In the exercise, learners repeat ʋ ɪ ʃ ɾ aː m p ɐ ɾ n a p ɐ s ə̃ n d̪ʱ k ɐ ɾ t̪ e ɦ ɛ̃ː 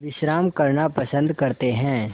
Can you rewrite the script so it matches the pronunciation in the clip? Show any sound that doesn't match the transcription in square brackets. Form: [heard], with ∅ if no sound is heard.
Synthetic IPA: ʋ ɪ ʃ ɾ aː m [k] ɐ ɾ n a p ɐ s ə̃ n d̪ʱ k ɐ ɾ t̪ e ɦ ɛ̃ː